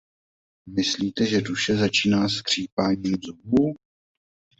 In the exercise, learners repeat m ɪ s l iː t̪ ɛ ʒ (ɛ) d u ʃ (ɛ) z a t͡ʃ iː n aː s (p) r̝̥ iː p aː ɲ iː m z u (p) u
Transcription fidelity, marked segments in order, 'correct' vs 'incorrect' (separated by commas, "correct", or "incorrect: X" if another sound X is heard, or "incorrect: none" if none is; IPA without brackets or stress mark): correct, correct, incorrect: k, incorrect: b